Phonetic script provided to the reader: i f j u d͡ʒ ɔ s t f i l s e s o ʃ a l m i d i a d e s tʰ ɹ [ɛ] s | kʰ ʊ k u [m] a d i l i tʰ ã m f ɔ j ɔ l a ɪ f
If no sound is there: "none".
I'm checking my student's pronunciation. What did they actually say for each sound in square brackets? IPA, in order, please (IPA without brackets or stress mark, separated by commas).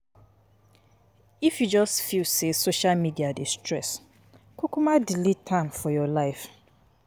ɛ, m